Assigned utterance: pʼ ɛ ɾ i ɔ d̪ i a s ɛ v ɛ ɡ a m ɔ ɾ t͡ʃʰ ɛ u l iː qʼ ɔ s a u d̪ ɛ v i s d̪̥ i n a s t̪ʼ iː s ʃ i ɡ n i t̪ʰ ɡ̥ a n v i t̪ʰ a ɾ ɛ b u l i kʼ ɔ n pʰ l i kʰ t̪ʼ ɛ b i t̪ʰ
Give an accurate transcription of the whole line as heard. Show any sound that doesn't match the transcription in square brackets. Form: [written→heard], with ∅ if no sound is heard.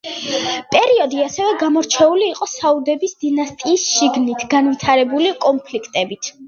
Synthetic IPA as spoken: pʼ ɛ ɾ i ɔ d̪ i a s ɛ v ɛ ɡ a m ɔ ɾ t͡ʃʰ ɛ u l iː qʼ ɔ s a u d̪ ɛ [v→b] i s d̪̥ i n a s t̪ʼ iː s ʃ i ɡ n i t̪ʰ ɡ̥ a n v i t̪ʰ a ɾ ɛ b u l i kʼ ɔ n pʰ l i kʰ t̪ʼ ɛ b i t̪ʰ